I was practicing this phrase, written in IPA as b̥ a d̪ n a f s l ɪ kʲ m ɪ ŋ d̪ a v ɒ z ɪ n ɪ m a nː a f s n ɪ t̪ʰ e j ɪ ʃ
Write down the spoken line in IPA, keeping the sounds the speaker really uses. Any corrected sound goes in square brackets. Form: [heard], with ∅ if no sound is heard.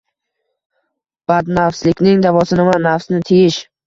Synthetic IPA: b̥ a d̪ n a f s l ɪ kʲ [n] ɪ ŋ d̪ a v ɒ [s] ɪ n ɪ m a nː a f s n ɪ t̪ʰ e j ɪ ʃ